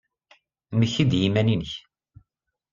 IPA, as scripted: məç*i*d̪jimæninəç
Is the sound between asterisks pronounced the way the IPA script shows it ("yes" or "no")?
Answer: yes